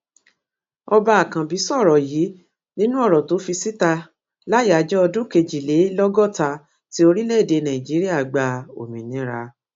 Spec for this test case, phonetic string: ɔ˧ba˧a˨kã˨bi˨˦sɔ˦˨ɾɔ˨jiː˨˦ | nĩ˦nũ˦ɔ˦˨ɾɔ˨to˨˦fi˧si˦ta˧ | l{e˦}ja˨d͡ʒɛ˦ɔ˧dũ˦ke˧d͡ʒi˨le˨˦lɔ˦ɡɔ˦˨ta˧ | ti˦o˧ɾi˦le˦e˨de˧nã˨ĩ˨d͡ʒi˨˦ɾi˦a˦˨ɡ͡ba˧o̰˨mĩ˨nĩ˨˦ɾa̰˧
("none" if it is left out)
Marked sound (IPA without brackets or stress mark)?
a˦